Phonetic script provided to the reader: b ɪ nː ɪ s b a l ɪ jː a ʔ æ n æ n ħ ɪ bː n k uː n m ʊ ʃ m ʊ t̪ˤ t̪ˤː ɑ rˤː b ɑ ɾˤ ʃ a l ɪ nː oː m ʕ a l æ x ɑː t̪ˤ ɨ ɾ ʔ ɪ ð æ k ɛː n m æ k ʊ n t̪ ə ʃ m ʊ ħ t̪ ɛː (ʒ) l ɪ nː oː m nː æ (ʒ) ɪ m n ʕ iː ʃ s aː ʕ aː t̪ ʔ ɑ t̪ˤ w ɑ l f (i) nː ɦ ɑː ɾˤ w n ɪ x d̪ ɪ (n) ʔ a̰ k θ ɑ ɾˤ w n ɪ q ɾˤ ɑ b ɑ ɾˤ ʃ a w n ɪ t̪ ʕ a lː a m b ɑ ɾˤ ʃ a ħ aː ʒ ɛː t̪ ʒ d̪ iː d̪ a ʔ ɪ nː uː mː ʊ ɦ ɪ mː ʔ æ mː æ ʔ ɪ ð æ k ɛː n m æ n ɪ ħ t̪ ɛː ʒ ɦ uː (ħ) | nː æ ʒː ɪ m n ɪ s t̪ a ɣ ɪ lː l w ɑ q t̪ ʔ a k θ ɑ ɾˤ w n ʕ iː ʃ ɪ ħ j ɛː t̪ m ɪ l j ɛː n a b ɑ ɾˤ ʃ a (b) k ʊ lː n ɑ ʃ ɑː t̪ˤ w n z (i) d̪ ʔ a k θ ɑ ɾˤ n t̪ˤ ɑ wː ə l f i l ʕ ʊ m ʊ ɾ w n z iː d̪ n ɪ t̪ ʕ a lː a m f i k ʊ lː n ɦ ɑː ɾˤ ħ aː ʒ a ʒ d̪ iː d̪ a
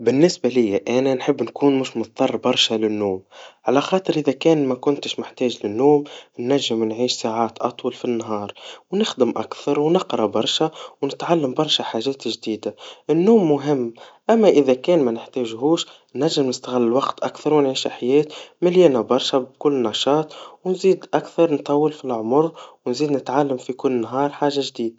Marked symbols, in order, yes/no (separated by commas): yes, no, yes, no, no, yes, no